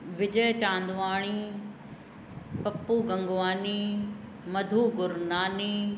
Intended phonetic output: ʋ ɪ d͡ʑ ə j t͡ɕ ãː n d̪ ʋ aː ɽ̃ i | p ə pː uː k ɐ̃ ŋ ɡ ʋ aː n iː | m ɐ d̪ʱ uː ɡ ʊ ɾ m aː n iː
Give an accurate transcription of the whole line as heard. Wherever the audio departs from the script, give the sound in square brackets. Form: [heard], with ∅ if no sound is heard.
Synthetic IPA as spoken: ʋ ɪ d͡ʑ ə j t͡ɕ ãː n d̪ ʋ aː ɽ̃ i | p [ɐ] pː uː [ɡ] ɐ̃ ŋ ɡ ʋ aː n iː | m ɐ d̪ʱ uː ɡ ʊ ɾ [n] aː n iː